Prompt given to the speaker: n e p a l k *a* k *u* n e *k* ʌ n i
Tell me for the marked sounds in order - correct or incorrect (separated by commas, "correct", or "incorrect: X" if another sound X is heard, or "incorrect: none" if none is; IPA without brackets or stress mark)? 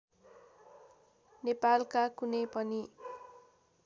correct, correct, incorrect: p